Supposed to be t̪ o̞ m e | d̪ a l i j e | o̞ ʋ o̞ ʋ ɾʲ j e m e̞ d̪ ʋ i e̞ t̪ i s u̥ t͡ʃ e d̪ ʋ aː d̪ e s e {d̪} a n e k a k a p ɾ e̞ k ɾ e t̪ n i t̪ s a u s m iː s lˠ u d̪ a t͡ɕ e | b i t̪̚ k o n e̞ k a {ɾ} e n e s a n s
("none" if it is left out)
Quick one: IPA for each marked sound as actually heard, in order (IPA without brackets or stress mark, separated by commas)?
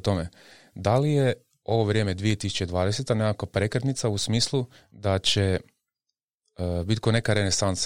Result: t̪, ɾ